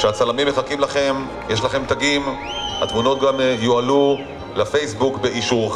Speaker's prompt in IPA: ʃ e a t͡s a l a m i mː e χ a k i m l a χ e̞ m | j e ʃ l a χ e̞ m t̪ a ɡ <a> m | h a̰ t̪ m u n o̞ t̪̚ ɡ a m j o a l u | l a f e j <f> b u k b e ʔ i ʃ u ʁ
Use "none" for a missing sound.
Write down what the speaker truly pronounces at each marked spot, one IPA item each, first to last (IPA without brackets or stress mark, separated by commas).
i, s